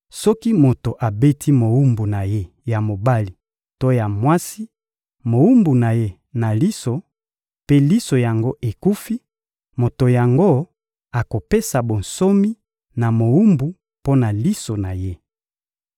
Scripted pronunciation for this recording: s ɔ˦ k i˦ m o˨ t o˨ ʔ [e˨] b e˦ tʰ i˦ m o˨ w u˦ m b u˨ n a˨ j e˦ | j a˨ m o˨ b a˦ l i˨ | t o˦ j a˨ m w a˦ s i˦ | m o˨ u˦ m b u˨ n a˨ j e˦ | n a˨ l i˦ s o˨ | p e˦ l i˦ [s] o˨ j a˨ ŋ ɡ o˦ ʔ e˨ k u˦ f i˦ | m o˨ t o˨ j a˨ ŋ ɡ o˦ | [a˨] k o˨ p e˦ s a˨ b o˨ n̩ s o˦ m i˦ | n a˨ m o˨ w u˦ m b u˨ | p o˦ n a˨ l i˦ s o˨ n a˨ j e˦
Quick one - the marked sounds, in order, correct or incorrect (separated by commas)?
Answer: incorrect, correct, correct